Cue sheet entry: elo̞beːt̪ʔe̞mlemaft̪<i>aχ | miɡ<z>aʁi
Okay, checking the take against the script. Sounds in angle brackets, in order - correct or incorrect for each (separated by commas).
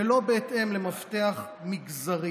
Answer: incorrect, correct